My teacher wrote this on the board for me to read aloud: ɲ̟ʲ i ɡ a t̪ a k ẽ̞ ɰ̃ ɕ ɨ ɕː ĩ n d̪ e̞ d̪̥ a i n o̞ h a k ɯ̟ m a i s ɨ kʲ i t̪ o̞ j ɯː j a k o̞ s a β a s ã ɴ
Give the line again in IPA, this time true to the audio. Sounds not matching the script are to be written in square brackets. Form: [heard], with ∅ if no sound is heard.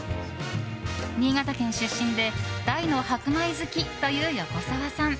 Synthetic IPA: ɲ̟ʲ [iː] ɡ a t̪ a k ẽ̞ ɰ̃ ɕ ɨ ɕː ĩ n d̪ e̞ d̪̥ a i n o̞ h a k ɯ̟ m a i [z] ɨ kʲ i t̪ o̞ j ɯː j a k o̞ s a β a s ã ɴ